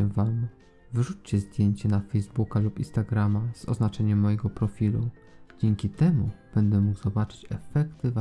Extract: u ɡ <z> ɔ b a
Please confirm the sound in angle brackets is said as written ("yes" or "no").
yes